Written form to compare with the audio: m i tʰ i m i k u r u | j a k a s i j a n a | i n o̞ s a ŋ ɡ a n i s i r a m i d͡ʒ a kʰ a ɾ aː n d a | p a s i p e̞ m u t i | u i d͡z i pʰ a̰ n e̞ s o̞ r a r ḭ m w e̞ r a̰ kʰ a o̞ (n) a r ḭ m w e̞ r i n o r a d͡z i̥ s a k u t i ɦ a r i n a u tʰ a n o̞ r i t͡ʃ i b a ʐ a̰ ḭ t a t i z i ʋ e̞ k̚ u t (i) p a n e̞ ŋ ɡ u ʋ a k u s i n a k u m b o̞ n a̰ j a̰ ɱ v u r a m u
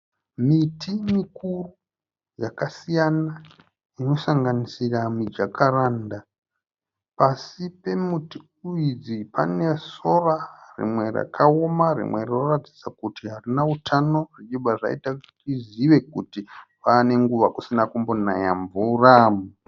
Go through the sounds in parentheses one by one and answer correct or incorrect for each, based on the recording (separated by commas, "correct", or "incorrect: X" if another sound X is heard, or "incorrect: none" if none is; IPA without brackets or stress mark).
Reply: incorrect: m, correct